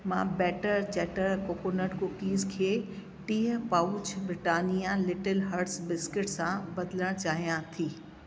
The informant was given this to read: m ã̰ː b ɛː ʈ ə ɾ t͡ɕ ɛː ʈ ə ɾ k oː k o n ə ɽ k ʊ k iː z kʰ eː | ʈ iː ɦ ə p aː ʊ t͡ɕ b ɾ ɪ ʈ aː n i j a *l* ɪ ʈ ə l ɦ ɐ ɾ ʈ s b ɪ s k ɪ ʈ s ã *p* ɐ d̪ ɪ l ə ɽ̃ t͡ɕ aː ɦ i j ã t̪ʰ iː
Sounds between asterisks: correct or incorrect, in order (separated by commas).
correct, incorrect